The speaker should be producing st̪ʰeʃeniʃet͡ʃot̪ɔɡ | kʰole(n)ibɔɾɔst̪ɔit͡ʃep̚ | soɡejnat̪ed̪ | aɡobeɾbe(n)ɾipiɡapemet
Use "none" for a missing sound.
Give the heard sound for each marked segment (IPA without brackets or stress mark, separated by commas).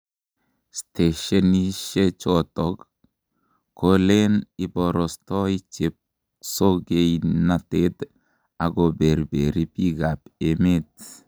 n, none